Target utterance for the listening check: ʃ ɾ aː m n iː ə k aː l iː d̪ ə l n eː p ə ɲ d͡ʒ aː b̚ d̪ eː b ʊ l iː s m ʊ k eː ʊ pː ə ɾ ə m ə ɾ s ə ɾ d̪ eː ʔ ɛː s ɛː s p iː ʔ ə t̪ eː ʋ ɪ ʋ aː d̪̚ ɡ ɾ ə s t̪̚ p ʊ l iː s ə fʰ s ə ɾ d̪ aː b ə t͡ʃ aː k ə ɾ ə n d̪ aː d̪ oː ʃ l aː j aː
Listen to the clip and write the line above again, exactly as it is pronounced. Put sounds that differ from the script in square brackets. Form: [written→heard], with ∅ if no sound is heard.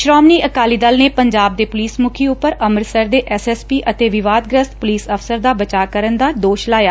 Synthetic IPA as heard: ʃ ɾ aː m n iː ə k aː l iː d̪ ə l n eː p ə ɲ d͡ʒ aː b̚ d̪ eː [b→p] ʊ l iː s m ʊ [k→kʰ] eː ʊ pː ə ɾ ə m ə ɾ s ə ɾ d̪ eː ʔ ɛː s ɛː s p iː ʔ ə t̪ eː ʋ ɪ ʋ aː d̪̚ ɡ ɾ ə s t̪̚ p ʊ l iː s ə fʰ s ə ɾ d̪ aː b ə t͡ʃ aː k ə ɾ ə n d̪ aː d̪ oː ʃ l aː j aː